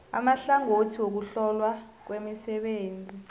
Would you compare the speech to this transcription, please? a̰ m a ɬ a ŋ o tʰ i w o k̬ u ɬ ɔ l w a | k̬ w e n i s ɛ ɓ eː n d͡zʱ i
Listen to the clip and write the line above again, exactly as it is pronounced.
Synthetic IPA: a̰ m a ɬ a ŋ o tʰ i w o k̬ u ɬ ɔ l w a | k̬ w e m i s ɛ ɓ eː n d͡zʱ i